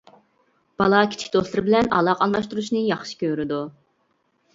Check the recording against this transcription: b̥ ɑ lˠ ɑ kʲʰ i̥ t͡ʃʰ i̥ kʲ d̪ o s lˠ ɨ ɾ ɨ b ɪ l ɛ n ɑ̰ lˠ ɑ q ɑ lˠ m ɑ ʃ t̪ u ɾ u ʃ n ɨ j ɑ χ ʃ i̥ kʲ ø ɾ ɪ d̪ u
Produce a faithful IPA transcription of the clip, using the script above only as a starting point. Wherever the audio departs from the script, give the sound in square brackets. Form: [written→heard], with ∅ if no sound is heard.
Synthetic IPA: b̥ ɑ lˠ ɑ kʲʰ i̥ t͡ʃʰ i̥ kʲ d̪ o s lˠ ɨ ɾ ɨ b ɪ l ɛ n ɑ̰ lˠ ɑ q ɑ lˠ m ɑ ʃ t̪ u ɾ u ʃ n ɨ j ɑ χ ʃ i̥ kʲ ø ɾ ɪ d̪ u